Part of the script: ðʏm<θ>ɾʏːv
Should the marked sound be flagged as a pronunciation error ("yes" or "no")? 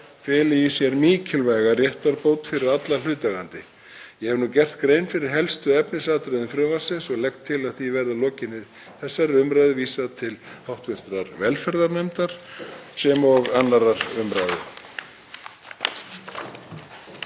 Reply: yes